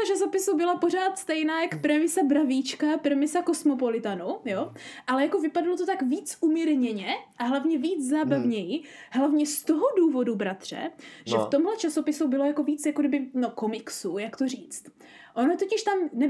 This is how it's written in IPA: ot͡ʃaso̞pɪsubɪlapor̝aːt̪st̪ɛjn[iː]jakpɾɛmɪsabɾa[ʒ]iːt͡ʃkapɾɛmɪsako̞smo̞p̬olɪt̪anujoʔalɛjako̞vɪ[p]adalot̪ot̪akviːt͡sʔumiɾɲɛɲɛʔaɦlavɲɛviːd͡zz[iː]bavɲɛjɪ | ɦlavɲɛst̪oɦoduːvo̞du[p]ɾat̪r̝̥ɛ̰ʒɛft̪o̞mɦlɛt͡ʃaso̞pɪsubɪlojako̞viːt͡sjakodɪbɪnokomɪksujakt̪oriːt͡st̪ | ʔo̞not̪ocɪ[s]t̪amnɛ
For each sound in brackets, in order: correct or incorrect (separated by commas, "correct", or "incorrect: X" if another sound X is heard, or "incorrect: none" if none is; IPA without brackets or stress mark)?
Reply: incorrect: aː, incorrect: v, correct, incorrect: aː, incorrect: b, incorrect: ʃ